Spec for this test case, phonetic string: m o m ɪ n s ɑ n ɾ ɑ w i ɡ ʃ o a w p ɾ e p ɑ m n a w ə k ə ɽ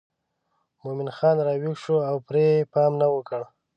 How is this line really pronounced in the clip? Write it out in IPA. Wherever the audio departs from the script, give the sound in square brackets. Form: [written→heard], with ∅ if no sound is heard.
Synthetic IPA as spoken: m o m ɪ n [s→x] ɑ n ɾ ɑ w i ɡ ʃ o a w p ɾ e p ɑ m n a w ə k ə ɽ

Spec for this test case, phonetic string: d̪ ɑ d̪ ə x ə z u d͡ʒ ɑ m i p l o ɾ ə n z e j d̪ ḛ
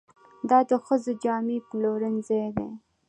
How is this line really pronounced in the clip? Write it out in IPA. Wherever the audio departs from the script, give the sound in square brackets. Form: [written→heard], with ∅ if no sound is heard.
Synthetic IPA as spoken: d̪ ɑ d̪ ə x ə z [u→o] d͡ʒ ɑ m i p l o ɾ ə n z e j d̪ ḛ

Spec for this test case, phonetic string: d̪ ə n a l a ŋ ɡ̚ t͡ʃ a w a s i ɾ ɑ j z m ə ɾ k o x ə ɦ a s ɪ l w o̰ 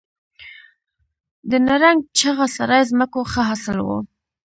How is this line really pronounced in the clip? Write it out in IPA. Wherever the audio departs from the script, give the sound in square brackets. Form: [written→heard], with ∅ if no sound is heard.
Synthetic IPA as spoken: d̪ ə n a [l→ɾ] a ŋ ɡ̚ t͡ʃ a [w→ɣ] a s [i→a] ɾ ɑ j z m ə [ɾ→∅] k o x ə ɦ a s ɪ l w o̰

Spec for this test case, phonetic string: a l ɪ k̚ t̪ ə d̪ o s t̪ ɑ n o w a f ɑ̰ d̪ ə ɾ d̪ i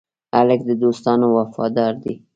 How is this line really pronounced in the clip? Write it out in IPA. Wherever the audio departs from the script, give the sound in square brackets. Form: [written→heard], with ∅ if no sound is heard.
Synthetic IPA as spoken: a l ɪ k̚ [t̪→d̪] ə d̪ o s t̪ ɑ n o w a f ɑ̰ d̪ [ə→ɑ] ɾ d̪ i

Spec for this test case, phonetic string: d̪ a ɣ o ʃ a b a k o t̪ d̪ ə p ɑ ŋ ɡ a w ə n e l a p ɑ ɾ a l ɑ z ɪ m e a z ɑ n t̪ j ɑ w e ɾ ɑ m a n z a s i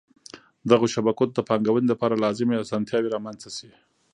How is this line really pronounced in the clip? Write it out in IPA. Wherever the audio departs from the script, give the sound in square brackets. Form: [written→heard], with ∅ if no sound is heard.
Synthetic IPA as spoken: d̪ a ɣ o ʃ a b a k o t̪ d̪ ə p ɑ ŋ ɡ a w ə n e l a p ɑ ɾ a l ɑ z ɪ m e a [z→s] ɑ n t̪ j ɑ w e ɾ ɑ m a n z a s i

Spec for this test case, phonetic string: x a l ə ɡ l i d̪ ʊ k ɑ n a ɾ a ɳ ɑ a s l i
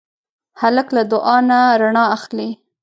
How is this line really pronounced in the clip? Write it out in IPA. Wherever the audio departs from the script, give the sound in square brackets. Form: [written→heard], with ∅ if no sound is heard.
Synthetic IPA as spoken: [x→h] a l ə [ɡ→k] l [i→a] d̪ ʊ [k→ʔ] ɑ n a ɾ a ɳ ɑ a [s→x] l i

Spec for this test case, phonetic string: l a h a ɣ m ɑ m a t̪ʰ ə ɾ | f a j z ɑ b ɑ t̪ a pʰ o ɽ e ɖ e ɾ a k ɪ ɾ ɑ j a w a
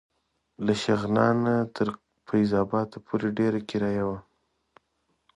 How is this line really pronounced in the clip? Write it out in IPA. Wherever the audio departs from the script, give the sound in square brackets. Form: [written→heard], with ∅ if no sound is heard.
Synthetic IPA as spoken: l a [h→ʃ] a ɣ [m→n] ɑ [m→n] a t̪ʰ ə ɾ | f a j z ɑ b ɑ t̪ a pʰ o [ɽ→ɾ] e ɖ e ɾ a k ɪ ɾ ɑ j a w a

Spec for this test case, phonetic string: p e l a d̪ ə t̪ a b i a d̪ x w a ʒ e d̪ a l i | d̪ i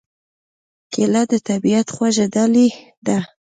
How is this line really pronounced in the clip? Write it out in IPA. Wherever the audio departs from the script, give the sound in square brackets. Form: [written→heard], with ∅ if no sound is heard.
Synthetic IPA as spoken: [p→k] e l a d̪ ə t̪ a b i a [d̪→t̪] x w a ʒ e d̪ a l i | d̪ [i→a]

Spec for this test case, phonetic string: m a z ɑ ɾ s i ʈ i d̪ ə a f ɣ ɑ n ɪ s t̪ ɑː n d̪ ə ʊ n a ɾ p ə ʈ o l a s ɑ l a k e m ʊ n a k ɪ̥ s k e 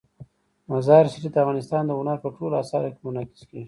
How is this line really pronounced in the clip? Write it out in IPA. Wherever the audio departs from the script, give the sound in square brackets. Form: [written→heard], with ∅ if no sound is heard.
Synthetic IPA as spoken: m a z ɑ ɾ s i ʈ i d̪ ə a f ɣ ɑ n ɪ s t̪ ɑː n d̪ ə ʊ n a ɾ p ə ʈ o l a s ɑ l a k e m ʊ n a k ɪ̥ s k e

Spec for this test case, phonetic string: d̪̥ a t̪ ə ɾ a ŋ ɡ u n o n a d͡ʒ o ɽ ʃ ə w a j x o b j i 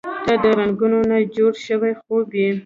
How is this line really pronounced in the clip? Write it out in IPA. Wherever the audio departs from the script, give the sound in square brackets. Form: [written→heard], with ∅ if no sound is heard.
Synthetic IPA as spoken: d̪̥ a [t̪→d̪] ə ɾ a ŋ ɡ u n o n a d͡ʒ o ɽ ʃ ə w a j x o b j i

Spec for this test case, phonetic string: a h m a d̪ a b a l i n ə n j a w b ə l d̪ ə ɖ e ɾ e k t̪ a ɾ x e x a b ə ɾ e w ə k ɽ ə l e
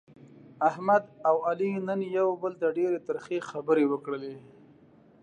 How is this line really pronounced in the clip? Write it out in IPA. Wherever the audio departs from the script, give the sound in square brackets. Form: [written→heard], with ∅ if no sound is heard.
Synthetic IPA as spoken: a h m a d̪ a [b→w] a l i n ə n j a w b ə l d̪ ə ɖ e ɾ e [k→∅] t̪ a ɾ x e x a b ə ɾ e w ə k ɽ ə l e

